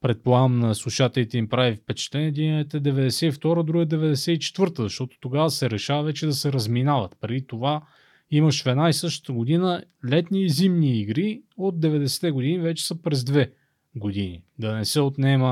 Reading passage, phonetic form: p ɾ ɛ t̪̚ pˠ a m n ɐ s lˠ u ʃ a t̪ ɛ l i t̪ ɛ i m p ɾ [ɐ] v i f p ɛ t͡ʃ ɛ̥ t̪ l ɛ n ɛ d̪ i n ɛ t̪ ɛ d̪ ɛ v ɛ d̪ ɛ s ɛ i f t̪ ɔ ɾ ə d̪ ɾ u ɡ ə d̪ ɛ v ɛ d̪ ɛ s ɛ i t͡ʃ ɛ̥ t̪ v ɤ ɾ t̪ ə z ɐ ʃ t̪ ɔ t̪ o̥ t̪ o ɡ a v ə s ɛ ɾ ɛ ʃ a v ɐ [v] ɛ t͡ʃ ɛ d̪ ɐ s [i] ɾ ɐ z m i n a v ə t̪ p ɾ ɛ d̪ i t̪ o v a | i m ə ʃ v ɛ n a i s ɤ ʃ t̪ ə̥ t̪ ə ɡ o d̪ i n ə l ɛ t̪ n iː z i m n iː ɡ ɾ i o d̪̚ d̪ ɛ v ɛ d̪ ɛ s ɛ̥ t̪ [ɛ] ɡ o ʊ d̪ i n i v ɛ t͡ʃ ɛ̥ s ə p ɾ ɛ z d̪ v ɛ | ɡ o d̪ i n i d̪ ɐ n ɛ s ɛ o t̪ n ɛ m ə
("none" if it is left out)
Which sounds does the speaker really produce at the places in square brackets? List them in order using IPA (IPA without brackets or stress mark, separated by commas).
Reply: a, v, ɛ, ɛ